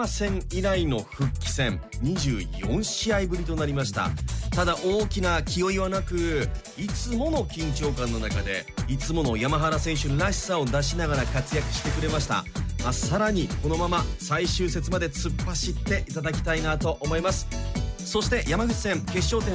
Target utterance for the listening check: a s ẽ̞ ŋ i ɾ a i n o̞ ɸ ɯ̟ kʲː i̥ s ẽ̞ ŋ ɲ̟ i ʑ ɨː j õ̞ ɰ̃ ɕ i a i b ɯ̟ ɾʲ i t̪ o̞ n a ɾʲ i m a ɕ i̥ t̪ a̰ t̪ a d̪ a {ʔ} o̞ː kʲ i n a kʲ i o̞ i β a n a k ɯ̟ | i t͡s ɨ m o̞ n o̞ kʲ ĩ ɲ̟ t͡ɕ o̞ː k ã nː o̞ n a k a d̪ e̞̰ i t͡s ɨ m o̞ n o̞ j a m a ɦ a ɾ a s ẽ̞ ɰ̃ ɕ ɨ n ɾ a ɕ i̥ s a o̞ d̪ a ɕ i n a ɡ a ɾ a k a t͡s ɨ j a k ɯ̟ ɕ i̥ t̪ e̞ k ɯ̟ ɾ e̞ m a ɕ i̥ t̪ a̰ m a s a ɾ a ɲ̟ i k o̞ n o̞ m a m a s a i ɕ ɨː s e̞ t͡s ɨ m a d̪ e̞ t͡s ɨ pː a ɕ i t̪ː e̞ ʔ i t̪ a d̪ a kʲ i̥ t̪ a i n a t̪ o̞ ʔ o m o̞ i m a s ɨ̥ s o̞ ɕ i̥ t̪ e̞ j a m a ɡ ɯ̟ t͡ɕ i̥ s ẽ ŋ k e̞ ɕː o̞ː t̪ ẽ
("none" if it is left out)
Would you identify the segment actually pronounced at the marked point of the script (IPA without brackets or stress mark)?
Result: ʔ